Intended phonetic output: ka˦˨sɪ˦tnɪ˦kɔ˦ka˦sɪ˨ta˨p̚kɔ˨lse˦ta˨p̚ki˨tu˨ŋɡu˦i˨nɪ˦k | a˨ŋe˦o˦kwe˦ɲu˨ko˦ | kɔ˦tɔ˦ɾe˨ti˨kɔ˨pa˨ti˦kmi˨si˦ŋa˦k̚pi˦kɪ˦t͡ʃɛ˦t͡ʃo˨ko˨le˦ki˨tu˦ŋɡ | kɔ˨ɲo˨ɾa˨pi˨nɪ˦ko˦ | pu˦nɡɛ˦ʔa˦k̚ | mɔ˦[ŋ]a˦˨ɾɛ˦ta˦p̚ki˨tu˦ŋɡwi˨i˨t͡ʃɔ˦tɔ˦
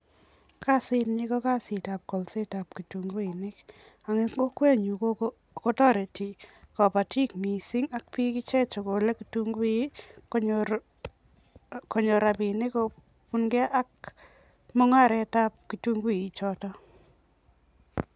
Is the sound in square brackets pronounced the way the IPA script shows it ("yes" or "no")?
yes